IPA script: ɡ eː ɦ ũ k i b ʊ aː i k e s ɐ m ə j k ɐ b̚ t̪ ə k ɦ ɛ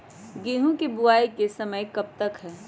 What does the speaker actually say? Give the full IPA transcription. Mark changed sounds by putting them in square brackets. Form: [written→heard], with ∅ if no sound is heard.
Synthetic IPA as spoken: ɡ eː ɦ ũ k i b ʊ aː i k e s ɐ m ə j k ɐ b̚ t̪ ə k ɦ [ɛ→ɛː]